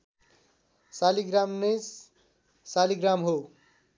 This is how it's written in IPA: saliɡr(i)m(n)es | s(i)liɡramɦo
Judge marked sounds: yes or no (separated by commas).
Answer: no, yes, no